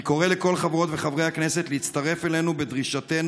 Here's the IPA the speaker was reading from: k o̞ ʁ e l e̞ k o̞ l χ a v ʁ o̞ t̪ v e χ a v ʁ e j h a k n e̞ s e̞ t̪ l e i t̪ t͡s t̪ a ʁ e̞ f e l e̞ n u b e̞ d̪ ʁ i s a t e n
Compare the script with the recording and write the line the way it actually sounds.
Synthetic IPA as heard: k o̞ ʁ e l e̞ k o̞ l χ a v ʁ o̞ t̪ v e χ a v ʁ e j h a k n e̞ s e̞ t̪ l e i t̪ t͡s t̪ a ʁ e̞ f e l e̞ n u b e̞ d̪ ʁ i ʃ a t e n